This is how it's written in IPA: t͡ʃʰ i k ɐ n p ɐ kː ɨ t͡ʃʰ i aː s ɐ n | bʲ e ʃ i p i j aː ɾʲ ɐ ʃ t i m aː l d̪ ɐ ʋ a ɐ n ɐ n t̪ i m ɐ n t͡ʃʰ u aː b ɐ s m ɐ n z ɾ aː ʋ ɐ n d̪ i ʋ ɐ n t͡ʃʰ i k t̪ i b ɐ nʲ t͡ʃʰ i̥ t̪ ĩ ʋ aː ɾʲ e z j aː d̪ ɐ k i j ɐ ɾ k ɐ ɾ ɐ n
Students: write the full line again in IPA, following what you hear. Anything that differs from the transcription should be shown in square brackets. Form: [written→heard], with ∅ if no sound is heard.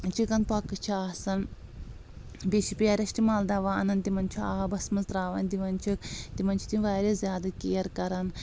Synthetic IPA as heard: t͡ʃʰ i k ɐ n p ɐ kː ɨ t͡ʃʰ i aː s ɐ n | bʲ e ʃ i p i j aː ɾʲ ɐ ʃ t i m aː l d̪ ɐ ʋ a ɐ n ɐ n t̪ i m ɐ n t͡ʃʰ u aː b ɐ s m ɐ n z ɾ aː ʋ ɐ n d̪ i ʋ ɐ n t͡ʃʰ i k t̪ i [b→m] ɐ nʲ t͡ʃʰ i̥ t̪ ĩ ʋ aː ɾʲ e z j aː d̪ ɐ k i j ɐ ɾ k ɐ ɾ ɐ n

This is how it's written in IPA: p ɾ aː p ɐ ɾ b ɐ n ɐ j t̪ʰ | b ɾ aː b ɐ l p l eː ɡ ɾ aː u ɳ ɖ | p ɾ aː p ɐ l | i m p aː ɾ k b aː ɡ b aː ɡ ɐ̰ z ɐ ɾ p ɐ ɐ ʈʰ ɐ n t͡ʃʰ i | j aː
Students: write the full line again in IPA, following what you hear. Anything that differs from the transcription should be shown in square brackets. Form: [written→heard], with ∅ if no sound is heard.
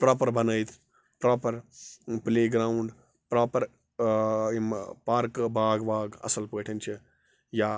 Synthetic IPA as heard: p ɾ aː p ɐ ɾ b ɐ n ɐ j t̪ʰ | [b→p] ɾ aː [b→p] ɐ [l→ɾ] p l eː ɡ ɾ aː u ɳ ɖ | p ɾ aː p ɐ [l→ɾ] | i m p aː ɾ k b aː ɡ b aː ɡ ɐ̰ [z→s] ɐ [ɾ→l] p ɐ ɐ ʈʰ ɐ n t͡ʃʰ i | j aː

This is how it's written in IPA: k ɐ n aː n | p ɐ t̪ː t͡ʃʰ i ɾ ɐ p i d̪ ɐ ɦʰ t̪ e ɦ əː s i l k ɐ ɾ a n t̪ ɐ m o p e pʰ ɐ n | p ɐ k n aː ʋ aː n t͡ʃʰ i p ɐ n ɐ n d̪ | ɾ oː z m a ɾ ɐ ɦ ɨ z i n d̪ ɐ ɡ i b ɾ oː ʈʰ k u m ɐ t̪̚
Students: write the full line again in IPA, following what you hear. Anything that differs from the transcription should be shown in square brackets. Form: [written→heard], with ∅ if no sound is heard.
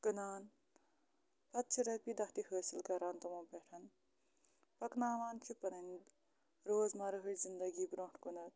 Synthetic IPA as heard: k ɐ n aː n | p ɐ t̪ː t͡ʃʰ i ɾ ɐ p i d̪ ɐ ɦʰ t̪ [e→i] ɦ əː s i l k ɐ ɾ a n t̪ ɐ m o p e [pʰ→ʈʰ] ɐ n | p ɐ k n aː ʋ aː n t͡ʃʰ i p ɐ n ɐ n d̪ | ɾ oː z m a ɾ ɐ ɦ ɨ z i n d̪ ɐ ɡ i b ɾ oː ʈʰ k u [m→n] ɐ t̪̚

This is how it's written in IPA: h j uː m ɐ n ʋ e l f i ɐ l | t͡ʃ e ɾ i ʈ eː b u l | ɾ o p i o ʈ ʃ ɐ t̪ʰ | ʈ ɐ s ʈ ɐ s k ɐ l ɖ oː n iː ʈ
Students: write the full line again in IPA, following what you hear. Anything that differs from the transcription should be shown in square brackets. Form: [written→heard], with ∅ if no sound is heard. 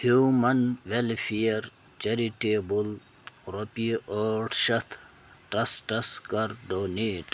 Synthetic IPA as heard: h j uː m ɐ n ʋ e l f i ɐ [l→ɾ] | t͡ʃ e ɾ i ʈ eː b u l | ɾ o p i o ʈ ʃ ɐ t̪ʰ | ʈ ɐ s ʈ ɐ s k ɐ [l→ɾ] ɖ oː n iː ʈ

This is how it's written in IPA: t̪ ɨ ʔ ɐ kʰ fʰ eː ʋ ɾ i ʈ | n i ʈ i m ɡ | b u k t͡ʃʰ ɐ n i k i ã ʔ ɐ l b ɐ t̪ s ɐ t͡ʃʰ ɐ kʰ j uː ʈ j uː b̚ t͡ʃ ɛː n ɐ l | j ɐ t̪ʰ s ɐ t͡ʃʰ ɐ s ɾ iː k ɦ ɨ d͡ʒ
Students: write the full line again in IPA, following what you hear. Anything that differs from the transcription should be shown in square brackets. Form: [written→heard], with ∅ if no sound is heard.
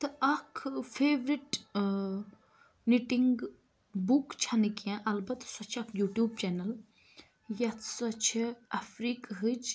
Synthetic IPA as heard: t̪ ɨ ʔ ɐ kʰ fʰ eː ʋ ɾ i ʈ | n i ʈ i [m→ŋ] ɡ | b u k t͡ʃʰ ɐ n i k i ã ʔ ɐ l b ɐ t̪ s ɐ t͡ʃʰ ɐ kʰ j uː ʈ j uː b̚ t͡ʃ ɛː n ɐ l | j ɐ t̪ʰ s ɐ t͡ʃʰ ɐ [s→f] ɾ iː k ɦ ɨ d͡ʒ

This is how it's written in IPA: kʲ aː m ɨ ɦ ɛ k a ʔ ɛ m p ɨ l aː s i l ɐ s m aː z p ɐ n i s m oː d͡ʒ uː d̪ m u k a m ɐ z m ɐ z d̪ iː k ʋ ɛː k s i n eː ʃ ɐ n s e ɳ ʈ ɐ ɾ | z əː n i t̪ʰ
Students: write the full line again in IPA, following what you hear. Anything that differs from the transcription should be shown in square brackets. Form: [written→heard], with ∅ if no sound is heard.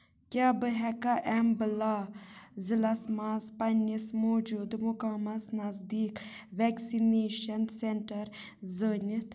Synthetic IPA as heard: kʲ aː [m→b] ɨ ɦ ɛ k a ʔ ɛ m [p→b] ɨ l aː [s→z] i l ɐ s m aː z p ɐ n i s m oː d͡ʒ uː d̪ m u k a m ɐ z [m→n] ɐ z d̪ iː k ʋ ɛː k s i n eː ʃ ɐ n s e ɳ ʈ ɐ ɾ | z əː n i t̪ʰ

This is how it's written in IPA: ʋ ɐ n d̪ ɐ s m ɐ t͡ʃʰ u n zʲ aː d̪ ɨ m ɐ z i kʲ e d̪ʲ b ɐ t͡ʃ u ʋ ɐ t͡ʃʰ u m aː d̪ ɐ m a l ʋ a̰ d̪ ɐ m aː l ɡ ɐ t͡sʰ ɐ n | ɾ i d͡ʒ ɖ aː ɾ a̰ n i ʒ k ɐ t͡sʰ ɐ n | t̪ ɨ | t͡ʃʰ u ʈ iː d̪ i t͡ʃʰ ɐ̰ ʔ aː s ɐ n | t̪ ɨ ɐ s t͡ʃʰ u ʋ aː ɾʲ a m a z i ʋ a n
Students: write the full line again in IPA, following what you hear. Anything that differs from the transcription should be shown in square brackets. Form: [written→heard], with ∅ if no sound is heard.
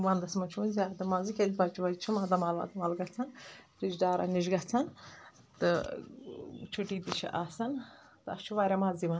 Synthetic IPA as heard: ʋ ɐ n d̪ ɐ s m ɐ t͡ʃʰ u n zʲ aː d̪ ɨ m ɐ z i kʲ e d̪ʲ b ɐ t͡ʃ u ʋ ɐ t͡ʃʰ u m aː d̪ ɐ m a l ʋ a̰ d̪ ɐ m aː l ɡ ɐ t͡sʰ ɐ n | ɾ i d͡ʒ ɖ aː ɾ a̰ n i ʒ [k→ɡ] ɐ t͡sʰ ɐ n | t̪ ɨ | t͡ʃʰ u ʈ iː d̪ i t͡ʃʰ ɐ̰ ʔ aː s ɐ n | t̪ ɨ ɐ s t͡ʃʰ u ʋ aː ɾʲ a m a z i ʋ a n

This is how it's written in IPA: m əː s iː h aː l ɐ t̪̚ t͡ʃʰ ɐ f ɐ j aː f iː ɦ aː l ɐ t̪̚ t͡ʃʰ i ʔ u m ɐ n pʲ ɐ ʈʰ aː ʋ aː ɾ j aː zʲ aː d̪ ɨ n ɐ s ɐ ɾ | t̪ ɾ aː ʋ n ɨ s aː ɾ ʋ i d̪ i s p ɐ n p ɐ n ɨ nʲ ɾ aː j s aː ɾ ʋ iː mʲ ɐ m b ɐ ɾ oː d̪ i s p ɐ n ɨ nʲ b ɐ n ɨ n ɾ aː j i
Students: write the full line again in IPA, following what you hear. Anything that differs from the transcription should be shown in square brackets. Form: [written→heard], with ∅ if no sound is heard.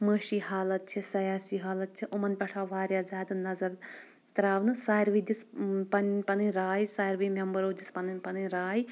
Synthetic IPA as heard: m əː [s→ʃ] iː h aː l ɐ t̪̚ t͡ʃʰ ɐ [f→s] ɐ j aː [f→s] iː ɦ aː l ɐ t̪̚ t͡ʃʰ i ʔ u m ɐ n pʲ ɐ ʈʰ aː ʋ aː ɾ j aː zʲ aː d̪ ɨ n ɐ [s→z] ɐ ɾ | t̪ ɾ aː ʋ n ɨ s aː ɾ ʋ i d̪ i s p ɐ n p ɐ n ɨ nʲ ɾ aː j s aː ɾ ʋ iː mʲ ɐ m b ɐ ɾ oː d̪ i s p ɐ n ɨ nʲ [b→p] ɐ n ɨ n ɾ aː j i

